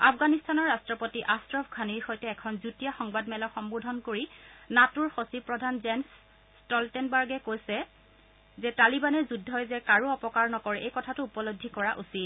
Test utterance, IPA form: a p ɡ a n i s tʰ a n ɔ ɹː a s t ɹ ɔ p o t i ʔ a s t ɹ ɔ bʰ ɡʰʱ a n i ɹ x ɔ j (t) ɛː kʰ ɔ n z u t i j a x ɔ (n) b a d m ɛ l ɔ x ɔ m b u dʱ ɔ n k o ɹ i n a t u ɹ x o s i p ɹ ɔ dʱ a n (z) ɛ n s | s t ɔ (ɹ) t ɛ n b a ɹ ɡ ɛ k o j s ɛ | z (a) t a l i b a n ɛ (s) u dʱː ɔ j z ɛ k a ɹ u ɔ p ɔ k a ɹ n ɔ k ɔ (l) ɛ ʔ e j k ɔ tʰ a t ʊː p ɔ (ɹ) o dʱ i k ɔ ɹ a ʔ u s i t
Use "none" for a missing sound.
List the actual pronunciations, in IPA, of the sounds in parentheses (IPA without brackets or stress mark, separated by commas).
t, ŋ, z, l, ɛ, z, ɹ, l